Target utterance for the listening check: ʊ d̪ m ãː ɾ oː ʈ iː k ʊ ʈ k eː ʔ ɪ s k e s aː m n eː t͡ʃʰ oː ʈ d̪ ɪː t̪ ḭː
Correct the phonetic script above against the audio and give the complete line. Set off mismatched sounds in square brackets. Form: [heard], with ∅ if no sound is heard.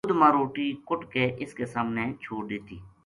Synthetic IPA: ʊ d̪ m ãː ɾ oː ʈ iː k ʊ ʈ k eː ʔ ɪ s k e s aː m n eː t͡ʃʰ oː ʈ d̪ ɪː t̪ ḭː